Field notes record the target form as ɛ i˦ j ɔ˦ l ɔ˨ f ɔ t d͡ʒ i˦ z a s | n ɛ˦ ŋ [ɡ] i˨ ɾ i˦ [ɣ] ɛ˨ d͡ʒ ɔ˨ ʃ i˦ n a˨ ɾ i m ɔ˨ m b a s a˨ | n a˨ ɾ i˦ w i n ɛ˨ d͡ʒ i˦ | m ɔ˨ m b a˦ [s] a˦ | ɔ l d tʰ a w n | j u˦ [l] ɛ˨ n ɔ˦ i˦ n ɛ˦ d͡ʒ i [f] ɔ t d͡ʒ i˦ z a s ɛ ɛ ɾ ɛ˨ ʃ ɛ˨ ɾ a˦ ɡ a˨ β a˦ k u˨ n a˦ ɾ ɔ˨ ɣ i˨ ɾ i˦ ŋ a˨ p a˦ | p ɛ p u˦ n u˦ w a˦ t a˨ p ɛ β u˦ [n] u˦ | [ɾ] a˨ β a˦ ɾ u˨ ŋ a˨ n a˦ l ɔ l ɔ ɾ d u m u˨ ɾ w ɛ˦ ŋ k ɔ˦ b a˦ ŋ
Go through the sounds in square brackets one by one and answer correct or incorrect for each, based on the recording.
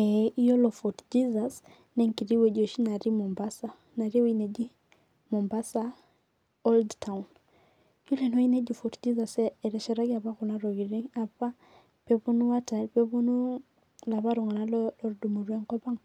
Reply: incorrect: k, incorrect: w, correct, correct, correct, correct, incorrect: l

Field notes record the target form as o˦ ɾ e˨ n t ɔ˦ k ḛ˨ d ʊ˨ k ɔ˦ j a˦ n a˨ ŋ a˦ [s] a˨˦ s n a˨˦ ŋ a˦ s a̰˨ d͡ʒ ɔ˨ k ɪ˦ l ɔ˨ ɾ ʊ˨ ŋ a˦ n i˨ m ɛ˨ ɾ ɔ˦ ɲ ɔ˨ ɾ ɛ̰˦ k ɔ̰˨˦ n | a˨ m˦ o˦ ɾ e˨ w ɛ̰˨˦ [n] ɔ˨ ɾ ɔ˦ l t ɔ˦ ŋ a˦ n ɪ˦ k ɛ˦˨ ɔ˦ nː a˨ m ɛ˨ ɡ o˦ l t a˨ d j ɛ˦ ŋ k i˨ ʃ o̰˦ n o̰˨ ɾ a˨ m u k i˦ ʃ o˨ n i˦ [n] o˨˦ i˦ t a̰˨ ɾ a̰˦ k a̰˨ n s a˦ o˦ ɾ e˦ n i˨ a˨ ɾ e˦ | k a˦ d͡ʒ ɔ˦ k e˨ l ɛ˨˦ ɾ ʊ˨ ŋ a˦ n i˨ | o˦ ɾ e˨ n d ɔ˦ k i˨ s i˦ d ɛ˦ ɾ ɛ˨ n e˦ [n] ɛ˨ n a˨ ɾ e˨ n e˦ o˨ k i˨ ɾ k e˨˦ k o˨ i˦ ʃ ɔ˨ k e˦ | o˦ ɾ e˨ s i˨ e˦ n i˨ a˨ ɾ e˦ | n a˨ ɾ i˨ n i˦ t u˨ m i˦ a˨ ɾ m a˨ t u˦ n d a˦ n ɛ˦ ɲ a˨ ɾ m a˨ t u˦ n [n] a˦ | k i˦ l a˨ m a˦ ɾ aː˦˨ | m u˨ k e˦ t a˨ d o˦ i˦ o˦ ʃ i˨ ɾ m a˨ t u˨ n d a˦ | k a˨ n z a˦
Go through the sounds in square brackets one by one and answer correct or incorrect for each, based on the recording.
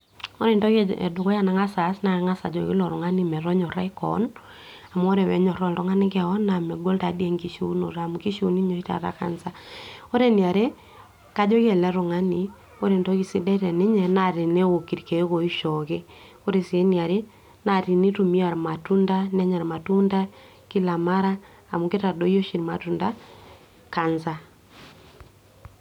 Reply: correct, incorrect: ɲ, incorrect: ɲ, incorrect: ɲ, incorrect: d

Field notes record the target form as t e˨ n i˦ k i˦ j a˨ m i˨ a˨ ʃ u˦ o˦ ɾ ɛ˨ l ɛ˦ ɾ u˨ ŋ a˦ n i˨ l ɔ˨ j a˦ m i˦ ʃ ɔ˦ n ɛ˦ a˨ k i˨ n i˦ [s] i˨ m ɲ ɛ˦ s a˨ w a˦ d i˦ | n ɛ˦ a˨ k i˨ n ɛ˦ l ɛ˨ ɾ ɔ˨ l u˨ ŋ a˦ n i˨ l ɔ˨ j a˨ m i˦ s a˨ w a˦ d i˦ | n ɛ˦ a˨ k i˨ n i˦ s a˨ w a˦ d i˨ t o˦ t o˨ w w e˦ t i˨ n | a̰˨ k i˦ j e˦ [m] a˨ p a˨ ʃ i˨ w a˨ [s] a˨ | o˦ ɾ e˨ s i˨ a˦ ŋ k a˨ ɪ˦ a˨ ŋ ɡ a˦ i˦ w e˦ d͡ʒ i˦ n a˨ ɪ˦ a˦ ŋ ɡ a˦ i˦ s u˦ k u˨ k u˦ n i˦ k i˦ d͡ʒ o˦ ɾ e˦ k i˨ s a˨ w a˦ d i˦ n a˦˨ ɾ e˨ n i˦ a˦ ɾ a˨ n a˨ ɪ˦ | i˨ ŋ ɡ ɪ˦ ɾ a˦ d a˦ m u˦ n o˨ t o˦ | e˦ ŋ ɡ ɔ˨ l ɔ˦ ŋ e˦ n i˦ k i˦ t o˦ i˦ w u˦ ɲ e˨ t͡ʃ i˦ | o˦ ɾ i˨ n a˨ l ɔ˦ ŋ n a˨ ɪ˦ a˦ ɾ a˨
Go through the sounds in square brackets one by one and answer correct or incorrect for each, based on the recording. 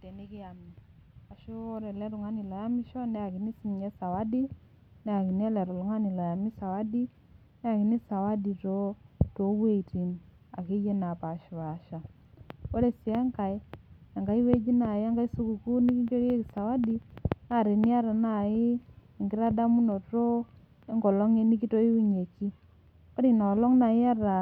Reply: correct, incorrect: n, incorrect: ʃ

